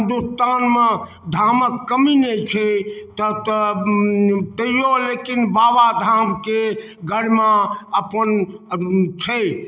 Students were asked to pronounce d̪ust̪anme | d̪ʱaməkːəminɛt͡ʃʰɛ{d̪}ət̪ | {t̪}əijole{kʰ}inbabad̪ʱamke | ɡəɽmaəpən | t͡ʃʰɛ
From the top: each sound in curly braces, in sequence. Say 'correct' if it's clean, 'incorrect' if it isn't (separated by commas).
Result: incorrect, correct, incorrect